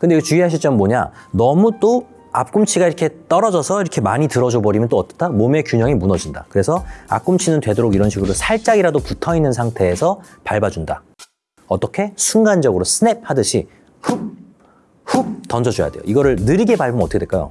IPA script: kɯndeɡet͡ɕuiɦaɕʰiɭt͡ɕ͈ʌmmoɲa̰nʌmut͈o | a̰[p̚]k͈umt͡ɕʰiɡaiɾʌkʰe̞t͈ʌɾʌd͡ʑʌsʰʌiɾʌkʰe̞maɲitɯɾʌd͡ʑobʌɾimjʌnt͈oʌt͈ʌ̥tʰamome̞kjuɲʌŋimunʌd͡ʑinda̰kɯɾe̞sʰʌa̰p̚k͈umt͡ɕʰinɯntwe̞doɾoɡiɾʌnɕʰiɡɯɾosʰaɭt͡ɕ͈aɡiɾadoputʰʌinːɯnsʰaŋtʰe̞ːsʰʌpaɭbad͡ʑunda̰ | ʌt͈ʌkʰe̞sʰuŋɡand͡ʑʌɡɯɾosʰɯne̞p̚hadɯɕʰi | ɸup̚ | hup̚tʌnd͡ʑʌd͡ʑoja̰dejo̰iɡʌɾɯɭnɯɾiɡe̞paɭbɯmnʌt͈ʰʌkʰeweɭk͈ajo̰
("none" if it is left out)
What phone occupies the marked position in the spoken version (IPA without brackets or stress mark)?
p̚